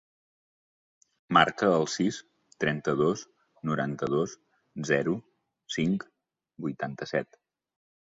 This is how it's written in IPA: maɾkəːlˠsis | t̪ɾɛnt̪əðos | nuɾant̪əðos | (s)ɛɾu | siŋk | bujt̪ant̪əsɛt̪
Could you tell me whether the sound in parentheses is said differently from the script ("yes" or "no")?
yes